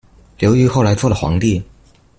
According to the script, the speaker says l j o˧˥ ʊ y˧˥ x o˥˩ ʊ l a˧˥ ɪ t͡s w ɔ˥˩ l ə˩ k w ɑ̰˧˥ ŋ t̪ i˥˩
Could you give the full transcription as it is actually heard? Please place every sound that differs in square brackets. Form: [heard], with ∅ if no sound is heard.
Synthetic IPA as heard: l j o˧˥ ʊ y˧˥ x o˥˩ ʊ l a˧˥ ɪ t͡s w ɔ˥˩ l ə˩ [x] w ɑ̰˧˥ ŋ t̪ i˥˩